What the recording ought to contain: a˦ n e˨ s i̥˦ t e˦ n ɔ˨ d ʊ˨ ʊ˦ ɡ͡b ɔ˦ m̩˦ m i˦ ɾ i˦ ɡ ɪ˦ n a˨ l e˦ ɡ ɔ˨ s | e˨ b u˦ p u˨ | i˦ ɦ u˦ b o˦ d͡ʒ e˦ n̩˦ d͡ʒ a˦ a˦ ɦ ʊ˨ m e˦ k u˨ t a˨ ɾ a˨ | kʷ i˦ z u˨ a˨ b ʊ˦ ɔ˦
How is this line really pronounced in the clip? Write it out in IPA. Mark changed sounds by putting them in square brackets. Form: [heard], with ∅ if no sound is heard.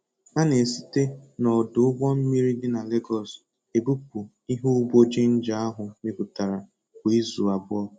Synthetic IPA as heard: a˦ n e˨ s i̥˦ t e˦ n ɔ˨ d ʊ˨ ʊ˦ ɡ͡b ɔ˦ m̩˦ m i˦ ɾ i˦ [d] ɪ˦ n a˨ l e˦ ɡ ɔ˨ s | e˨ b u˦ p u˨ | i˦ ɦ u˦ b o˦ d͡ʒ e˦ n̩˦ d͡ʒ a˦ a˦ ɦ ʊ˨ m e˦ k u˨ t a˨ ɾ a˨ | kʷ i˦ z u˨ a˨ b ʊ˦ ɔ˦